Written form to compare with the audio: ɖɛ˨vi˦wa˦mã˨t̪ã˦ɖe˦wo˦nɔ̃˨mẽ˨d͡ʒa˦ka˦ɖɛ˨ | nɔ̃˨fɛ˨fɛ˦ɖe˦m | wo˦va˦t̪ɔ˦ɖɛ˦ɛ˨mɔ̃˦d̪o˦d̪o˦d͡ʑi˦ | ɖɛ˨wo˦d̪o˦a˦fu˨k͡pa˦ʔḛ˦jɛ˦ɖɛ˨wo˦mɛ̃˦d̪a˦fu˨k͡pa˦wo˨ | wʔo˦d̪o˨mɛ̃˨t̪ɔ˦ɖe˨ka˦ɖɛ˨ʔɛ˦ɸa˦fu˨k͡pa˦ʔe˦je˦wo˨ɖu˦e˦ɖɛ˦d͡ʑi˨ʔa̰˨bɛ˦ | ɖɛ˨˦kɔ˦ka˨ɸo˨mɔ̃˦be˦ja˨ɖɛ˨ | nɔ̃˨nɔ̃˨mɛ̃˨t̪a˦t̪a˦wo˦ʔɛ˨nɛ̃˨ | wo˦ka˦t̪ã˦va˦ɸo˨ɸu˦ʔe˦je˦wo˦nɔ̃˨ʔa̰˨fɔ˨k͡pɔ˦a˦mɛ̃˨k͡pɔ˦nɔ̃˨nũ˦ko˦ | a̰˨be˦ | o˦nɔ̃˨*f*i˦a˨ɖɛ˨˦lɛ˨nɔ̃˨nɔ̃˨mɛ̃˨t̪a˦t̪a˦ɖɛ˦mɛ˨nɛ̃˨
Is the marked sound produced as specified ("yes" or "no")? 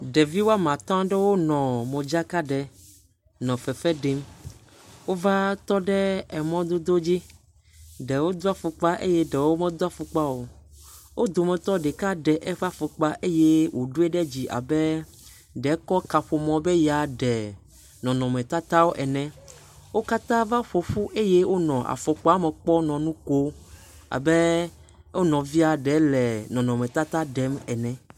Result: no